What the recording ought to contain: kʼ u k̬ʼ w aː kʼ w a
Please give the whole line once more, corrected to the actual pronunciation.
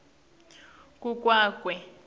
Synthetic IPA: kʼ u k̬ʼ w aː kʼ w ɛ